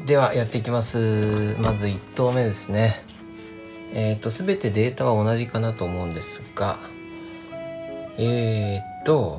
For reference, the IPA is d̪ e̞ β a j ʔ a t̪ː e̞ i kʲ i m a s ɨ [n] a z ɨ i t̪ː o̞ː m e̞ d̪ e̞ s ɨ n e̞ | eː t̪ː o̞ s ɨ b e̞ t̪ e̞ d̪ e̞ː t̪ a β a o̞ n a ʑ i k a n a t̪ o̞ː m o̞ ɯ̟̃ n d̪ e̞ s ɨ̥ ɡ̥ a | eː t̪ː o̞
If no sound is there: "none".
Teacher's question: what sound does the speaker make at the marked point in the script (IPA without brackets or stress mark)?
m